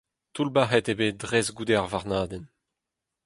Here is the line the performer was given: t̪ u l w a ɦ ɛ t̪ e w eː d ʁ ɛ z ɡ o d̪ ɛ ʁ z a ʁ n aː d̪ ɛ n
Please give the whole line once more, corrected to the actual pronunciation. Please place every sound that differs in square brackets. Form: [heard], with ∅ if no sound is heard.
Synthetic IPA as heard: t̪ u l [b] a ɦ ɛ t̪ e [b] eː d ʁ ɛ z ɡ [u] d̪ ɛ ʁ [v] a ʁ n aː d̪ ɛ n